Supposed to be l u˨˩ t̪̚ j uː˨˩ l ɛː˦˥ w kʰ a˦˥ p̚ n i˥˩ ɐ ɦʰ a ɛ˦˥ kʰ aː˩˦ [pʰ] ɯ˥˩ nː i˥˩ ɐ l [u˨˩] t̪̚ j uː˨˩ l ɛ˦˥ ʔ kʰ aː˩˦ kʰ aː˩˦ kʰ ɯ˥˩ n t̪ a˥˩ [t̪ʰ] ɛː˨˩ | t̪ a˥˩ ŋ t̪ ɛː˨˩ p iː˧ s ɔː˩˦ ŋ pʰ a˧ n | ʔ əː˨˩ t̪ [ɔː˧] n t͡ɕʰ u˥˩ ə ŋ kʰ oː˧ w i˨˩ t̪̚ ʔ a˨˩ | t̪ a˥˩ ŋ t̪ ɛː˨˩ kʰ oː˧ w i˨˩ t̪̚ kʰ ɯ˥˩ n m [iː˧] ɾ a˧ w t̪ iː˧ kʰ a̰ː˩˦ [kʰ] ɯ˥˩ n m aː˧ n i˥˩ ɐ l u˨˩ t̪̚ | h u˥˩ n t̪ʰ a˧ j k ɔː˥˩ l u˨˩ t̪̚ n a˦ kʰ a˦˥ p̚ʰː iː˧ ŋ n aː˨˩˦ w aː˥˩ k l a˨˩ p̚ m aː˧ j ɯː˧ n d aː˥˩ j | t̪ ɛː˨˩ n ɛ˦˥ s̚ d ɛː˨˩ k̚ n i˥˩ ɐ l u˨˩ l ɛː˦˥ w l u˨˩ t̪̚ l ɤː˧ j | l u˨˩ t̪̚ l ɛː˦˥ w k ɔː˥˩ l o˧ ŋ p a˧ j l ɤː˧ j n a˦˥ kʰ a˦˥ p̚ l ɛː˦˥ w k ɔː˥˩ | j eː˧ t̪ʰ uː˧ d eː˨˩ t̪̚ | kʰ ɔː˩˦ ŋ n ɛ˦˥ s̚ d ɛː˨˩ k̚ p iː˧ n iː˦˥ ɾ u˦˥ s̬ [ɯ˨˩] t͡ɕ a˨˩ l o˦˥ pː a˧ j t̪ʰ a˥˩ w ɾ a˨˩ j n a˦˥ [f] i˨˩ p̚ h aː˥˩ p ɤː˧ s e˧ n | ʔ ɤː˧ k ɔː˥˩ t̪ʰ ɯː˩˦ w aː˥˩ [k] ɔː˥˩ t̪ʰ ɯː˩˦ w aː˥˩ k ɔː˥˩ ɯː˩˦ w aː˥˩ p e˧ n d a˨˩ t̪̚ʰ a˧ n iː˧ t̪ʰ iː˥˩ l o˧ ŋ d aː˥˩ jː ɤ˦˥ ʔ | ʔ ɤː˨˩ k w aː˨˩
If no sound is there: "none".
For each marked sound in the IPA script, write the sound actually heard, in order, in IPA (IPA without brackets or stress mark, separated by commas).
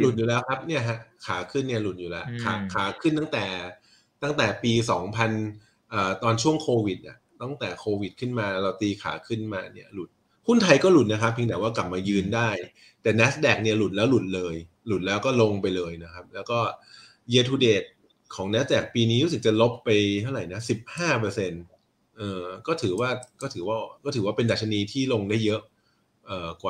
kʰ, u˨˩, t̪, ɔː˧, aː˧, kʰ, ɯ˨˩, s, k